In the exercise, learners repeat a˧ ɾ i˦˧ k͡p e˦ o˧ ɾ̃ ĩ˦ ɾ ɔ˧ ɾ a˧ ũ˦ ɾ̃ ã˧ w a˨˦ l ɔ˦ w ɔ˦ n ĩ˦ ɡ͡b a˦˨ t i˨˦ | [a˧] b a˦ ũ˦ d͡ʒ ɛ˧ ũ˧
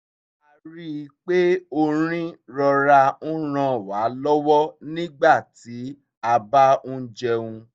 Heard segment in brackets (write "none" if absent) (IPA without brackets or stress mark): a˧